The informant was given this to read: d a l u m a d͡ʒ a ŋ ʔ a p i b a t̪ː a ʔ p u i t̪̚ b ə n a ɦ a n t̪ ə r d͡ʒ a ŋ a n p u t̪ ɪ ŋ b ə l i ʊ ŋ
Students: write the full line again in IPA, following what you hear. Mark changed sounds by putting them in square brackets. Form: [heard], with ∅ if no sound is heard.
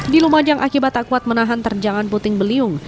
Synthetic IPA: d [i] l u m a d͡ʒ a ŋ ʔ a [k] i b a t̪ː a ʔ [k] u [a] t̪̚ [m] ə n a ɦ a n t̪ ə r d͡ʒ a ŋ a n p u t̪ ɪ ŋ b ə l i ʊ ŋ